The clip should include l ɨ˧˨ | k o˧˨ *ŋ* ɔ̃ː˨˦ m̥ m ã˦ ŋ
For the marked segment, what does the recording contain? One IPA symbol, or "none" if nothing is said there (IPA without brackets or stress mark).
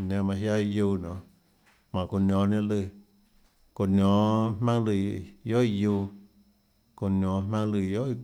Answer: n